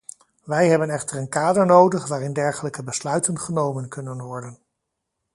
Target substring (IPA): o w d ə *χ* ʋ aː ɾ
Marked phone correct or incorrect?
correct